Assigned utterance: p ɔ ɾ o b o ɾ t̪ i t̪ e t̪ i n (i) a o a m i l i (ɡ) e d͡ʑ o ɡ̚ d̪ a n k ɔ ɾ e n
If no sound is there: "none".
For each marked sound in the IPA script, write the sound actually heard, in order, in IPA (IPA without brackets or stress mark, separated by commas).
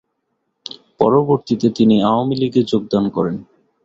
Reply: i, ɡ